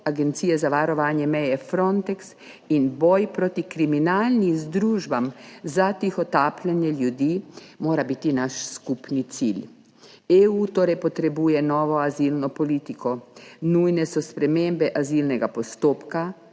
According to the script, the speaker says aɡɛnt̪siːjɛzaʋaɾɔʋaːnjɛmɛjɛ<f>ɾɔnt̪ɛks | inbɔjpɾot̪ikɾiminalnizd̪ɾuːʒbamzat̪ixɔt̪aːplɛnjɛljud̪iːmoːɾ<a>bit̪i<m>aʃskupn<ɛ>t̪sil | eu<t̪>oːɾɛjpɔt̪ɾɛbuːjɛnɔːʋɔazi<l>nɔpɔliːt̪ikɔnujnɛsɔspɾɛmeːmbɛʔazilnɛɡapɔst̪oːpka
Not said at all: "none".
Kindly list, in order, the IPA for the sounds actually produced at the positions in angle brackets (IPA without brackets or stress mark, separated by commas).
f, a, n, i, t̪, l